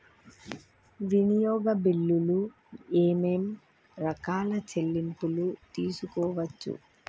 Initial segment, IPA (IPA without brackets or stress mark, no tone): ʋ